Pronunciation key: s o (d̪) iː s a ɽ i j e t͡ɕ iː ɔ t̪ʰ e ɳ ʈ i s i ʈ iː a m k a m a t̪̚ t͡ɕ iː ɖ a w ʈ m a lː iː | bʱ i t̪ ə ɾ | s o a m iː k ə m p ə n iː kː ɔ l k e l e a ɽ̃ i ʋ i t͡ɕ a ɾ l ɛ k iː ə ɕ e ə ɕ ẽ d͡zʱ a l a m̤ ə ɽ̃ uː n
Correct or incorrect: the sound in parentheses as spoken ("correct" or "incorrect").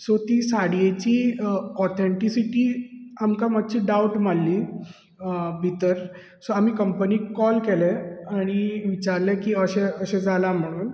incorrect